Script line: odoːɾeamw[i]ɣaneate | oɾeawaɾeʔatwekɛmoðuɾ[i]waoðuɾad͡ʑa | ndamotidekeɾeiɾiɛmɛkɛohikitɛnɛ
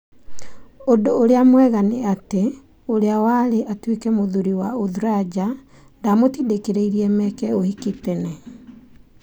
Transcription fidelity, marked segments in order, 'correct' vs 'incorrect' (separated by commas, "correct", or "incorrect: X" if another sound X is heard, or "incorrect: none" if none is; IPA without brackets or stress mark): incorrect: ɛ, correct